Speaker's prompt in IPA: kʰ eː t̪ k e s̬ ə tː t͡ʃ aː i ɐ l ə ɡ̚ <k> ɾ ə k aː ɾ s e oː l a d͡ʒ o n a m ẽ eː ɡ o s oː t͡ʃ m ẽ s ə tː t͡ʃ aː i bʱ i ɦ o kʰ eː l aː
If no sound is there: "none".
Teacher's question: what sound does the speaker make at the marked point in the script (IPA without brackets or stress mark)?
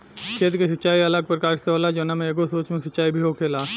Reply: p